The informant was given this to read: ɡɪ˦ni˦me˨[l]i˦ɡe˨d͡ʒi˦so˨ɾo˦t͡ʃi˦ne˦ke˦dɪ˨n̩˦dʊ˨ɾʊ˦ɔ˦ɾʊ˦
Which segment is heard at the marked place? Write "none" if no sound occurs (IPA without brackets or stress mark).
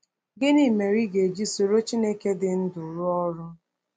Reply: ɾ